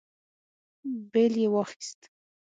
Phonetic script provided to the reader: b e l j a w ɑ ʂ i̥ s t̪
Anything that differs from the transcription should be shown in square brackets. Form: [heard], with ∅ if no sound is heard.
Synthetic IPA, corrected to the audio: b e l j [e] w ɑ [x] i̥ s t̪